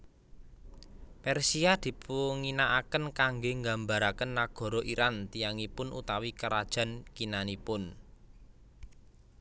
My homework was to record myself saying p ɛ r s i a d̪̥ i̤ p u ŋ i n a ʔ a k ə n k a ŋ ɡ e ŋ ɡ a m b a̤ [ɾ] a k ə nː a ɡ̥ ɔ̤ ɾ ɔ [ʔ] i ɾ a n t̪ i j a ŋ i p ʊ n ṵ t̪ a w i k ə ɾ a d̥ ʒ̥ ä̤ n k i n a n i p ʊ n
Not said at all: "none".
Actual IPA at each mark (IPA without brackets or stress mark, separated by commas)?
ɾ, ʔ